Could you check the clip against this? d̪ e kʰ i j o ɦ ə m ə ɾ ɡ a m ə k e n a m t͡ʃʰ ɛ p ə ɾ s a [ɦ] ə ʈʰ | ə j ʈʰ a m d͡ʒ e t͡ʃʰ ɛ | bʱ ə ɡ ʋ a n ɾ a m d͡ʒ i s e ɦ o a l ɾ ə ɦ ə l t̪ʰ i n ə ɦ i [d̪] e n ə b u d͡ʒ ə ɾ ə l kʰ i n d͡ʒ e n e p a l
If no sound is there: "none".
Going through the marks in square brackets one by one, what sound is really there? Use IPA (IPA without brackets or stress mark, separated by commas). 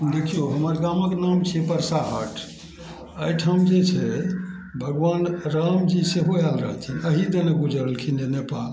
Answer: ɦ, d̪